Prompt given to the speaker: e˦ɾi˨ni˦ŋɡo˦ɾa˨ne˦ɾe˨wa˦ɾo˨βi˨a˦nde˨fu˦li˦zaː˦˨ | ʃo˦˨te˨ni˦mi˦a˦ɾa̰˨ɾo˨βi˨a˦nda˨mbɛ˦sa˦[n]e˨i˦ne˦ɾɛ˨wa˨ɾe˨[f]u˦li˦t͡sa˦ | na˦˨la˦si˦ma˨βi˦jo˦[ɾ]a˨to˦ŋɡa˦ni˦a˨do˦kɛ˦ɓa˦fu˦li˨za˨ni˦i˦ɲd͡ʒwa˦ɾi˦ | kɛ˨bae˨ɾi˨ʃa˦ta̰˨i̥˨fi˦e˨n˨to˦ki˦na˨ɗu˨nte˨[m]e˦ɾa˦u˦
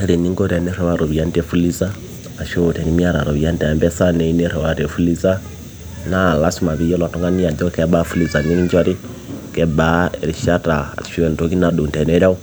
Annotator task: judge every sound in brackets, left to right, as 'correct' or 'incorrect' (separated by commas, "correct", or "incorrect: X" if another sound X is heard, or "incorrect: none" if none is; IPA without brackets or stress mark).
correct, correct, incorrect: l, incorrect: n